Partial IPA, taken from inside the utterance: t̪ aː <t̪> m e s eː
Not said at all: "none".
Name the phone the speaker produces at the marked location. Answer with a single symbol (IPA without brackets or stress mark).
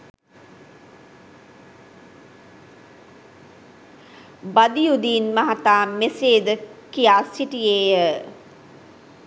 none